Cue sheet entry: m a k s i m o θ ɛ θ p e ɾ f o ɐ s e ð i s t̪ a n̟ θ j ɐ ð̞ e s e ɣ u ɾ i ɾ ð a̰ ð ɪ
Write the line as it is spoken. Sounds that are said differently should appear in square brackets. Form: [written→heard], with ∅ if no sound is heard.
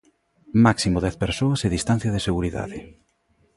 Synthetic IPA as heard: m a k s i m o [θ→ð] ɛ θ p e ɾ [f→s] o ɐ s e ð i s t̪ a n̟ θ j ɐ ð̞ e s e ɣ u ɾ i [ɾ→∅] ð a̰ ð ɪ